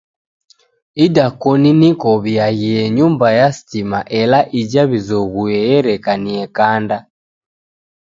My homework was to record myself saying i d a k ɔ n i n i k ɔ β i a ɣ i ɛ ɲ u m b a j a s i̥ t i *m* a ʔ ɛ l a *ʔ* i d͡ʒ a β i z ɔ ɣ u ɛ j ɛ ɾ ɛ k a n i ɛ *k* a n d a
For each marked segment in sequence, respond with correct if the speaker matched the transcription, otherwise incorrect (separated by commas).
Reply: correct, correct, correct